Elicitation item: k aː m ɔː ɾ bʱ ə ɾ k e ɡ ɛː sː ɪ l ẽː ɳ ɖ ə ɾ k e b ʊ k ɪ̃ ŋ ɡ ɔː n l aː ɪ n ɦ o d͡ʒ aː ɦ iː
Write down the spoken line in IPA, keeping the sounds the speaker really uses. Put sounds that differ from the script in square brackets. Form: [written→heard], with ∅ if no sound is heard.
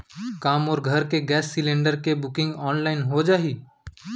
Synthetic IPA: k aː m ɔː ɾ [bʱ→ɡʱ] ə ɾ k e ɡ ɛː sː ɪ l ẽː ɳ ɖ ə ɾ k e b ʊ k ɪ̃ ŋ ɡ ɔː n l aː ɪ n ɦ o d͡ʒ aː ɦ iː